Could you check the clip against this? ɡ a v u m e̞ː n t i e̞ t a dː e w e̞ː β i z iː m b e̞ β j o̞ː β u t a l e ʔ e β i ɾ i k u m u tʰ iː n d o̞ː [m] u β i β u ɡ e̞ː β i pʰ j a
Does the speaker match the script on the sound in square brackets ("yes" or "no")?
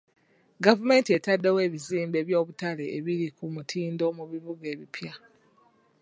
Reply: yes